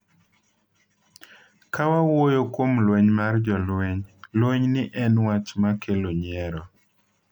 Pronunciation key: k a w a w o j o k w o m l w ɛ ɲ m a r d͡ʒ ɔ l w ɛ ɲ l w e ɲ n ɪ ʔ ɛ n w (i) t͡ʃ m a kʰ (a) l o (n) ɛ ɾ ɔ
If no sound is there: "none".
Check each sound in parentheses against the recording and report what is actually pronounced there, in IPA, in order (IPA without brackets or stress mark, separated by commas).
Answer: a, e, ɲ